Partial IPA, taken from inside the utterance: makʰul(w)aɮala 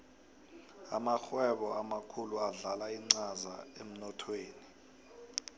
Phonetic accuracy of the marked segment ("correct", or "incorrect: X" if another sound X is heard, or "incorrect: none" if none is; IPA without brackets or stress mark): incorrect: u